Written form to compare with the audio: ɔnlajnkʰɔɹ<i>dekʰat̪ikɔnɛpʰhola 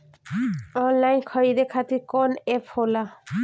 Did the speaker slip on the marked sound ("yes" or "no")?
no